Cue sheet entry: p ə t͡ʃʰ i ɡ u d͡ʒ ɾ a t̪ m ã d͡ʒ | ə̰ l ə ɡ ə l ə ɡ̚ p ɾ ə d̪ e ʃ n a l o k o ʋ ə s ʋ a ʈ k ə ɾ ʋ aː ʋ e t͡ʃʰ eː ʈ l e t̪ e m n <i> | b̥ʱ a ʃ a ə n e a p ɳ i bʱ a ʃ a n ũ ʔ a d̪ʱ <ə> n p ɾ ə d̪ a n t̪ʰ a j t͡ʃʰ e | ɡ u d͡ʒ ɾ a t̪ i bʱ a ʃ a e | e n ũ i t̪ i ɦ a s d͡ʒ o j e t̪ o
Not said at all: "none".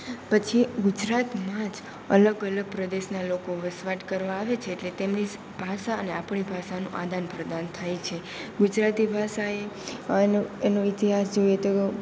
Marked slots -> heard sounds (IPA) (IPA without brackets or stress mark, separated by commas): i, a